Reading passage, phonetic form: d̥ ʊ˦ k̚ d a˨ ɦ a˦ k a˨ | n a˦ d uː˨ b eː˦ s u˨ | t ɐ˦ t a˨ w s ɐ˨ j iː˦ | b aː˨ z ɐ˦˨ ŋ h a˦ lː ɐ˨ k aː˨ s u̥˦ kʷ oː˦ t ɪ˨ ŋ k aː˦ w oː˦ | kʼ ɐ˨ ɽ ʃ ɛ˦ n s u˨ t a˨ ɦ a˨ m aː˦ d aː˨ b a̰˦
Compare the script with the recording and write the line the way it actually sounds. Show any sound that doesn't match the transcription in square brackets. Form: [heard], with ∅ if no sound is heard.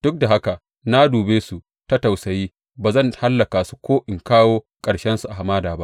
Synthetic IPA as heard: d̥ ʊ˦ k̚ d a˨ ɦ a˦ k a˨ | n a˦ d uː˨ b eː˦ s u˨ | t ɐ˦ t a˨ w s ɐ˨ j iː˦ | b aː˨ z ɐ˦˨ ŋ h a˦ lː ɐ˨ k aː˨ s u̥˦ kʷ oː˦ [ʔ] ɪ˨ ŋ k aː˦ w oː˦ | kʼ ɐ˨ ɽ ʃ ɛ˦ n s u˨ [ʔ] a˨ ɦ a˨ m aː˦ d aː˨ b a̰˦